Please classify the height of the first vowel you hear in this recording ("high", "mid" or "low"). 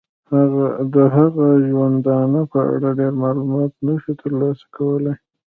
low